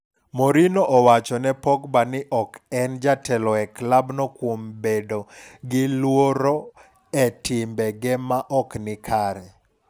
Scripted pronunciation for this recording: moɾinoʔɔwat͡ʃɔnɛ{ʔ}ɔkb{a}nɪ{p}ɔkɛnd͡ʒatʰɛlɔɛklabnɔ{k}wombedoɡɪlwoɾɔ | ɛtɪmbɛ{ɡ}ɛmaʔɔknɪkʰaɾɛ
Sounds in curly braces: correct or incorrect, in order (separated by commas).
incorrect, correct, incorrect, correct, correct